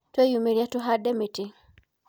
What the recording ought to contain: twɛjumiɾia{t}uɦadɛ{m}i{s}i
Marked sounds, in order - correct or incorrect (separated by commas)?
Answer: correct, correct, incorrect